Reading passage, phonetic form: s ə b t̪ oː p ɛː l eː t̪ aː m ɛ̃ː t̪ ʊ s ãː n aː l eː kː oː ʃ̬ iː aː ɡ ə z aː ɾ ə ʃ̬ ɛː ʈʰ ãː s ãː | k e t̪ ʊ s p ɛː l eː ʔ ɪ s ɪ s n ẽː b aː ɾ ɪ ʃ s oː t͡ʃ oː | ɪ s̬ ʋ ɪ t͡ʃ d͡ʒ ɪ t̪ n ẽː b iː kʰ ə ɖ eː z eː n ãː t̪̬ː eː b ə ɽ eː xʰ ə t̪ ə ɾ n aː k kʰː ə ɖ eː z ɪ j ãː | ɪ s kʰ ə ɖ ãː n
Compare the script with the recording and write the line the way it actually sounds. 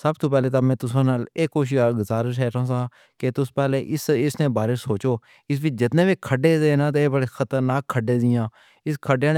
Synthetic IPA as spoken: s ə b t̪ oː p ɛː l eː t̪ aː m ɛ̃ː t̪ ʊ s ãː n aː l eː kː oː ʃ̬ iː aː ɡ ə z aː ɾ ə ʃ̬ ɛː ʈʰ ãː s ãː | k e t̪ ʊ s p ɛː l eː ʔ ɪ s ɪ s n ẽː b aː ɾ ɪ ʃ s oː t͡ʃ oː | ɪ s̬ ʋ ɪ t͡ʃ d͡ʒ ɪ t̪ n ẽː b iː kʰ ə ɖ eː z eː n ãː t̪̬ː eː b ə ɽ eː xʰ ə t̪ ə ɾ n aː k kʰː ə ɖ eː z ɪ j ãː | ɪ s kʰ ə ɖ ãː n